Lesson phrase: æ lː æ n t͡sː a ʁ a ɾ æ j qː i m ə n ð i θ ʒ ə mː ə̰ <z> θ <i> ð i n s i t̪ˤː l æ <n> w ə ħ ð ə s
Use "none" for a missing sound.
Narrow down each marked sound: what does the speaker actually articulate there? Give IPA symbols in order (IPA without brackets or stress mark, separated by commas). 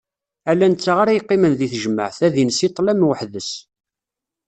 ʕ, æ, m